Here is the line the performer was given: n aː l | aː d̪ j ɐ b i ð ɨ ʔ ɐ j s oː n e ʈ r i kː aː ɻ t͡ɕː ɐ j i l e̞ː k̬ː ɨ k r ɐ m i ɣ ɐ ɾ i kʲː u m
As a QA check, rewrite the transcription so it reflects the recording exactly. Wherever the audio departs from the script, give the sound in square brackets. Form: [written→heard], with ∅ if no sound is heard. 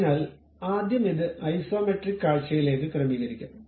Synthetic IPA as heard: n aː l | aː d̪ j ɐ [b→m] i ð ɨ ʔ ɐ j s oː [n→m] e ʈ r i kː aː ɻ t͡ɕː ɐ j i l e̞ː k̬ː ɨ k r ɐ m i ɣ ɐ ɾ i kʲː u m